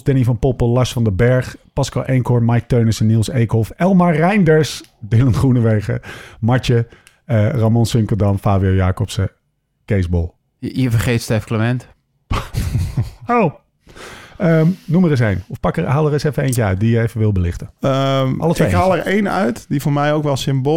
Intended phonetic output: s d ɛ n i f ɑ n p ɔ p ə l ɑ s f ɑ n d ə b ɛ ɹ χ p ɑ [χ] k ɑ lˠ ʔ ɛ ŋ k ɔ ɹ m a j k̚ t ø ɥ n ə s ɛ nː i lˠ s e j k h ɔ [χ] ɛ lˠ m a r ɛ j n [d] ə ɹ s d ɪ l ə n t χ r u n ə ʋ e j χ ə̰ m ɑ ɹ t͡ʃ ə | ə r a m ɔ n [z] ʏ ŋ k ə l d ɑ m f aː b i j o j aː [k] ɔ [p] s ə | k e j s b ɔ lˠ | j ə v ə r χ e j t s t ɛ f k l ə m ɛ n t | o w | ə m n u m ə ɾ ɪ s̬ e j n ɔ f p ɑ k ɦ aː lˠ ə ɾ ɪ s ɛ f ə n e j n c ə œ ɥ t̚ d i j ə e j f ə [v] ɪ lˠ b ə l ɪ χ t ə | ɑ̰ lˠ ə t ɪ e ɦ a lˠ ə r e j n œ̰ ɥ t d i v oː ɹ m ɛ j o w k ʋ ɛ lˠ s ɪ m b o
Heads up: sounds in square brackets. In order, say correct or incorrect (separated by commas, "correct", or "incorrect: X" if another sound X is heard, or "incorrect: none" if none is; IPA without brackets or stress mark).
incorrect: s, incorrect: f, correct, incorrect: s, correct, correct, incorrect: ʋ